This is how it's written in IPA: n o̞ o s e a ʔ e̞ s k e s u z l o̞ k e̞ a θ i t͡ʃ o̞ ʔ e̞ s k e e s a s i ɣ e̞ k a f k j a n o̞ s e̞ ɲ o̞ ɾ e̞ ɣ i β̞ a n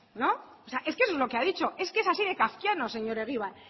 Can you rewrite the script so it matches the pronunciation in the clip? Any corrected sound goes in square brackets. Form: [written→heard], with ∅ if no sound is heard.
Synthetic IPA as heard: n o̞ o s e a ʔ e̞ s k e s [u→o] z l o̞ k e̞ a [θ→ð] i t͡ʃ o̞ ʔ e̞ s k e e s a s i [ɣ→ð] e̞ k a f k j a n o̞ s e̞ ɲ o̞ ɾ e̞ ɣ i β̞ a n